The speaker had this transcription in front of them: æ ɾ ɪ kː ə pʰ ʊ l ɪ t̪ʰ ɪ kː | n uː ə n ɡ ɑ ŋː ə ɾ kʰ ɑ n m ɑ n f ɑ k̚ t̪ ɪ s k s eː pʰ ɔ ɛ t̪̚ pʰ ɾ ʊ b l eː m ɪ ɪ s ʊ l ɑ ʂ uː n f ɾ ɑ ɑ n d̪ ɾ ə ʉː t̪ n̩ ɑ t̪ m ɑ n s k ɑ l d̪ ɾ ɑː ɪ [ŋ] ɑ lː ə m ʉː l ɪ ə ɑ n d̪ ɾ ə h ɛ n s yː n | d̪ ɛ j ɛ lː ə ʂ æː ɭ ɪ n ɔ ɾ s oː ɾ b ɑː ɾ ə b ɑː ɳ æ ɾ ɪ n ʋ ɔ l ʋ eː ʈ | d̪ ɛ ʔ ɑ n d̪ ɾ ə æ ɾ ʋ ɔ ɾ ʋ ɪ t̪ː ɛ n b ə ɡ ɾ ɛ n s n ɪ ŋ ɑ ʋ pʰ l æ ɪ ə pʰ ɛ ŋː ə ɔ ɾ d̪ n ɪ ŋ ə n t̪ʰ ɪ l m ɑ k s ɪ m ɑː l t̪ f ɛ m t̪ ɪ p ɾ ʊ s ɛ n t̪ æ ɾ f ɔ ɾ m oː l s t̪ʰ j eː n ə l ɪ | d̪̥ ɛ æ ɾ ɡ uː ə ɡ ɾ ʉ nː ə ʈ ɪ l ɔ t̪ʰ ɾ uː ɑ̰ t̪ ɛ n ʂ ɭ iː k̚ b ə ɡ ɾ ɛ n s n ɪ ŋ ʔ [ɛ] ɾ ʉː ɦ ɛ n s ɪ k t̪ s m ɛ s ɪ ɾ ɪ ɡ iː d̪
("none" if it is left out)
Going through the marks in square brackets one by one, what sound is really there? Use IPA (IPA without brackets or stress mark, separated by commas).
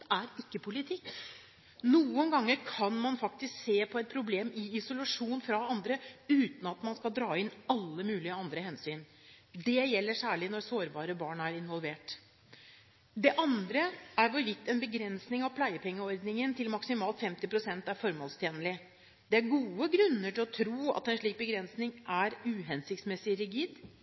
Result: n, æ